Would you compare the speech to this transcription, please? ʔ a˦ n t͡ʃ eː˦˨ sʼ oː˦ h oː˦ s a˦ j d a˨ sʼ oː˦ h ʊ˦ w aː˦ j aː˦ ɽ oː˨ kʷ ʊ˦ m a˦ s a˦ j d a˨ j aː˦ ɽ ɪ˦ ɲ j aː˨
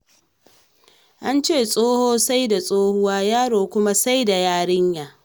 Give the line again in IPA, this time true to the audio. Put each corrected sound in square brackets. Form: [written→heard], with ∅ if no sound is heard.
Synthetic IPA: ʔ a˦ n t͡ʃ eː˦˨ sʼ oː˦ h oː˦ s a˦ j d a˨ sʼ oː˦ h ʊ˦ w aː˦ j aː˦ ɽ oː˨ kʷ ʊ˦ m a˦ s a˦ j d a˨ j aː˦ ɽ ɪ˦ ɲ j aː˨